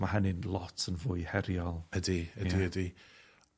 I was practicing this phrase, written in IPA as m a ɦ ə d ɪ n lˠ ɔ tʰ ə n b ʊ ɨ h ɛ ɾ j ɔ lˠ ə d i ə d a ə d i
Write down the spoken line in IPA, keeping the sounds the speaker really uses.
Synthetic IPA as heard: m a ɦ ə n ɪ n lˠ ɔ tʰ ə n v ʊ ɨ h ɛ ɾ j ɔ lˠ ə d i ə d i ə d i